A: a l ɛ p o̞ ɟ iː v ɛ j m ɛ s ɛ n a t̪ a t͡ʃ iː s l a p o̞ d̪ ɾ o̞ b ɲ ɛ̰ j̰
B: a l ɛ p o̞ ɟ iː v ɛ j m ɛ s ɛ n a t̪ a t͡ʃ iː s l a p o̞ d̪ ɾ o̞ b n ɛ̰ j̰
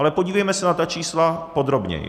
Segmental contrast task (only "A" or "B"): A